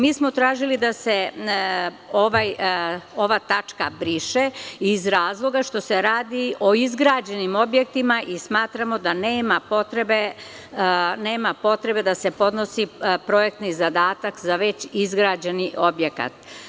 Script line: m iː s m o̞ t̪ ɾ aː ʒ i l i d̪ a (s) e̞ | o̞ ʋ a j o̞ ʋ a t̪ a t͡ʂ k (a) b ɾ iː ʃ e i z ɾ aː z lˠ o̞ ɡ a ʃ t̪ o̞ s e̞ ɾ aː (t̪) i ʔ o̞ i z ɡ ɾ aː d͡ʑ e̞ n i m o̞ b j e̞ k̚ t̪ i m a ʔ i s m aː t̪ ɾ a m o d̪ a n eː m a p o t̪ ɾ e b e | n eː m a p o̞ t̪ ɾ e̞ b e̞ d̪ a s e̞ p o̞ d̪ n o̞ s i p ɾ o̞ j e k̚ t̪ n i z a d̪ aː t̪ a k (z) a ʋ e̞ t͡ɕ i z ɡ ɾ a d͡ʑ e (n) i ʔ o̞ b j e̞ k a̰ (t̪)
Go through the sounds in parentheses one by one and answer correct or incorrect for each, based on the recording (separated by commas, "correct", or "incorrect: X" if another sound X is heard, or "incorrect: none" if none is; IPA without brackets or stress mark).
correct, correct, incorrect: d̪, correct, correct, correct